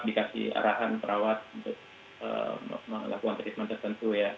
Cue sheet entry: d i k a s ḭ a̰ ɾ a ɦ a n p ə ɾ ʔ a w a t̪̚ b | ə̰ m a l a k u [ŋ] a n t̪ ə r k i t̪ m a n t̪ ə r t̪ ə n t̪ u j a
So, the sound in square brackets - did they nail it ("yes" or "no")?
yes